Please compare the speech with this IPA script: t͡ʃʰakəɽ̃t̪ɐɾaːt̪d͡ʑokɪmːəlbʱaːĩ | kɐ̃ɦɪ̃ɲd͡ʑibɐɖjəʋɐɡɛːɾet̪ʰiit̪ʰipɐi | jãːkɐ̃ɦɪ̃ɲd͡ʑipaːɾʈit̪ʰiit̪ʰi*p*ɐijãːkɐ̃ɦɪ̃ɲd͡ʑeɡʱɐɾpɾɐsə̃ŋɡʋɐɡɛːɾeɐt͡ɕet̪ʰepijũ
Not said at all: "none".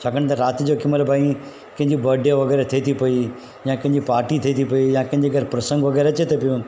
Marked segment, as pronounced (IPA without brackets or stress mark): p